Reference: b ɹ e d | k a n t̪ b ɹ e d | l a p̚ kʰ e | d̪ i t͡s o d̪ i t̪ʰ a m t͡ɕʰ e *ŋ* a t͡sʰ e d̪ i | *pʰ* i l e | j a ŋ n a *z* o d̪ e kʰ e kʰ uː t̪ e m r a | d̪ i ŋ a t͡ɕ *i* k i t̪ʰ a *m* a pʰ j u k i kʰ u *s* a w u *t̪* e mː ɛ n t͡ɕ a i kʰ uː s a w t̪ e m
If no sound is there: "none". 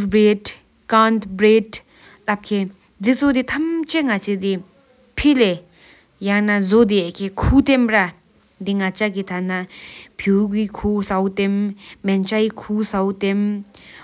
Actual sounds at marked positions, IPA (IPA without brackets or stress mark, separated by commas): ŋ, pʰ, z, a, n, s, t̪